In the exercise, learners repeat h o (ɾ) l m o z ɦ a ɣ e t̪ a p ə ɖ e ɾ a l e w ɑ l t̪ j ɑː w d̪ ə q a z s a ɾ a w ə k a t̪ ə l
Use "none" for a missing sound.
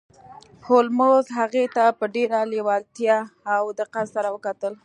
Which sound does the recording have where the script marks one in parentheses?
none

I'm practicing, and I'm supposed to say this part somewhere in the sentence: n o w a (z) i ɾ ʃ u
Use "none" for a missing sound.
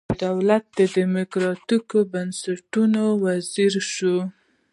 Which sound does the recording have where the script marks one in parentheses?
z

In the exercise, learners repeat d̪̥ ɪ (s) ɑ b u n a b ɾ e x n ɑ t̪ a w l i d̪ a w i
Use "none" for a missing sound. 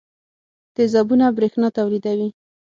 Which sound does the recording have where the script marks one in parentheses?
z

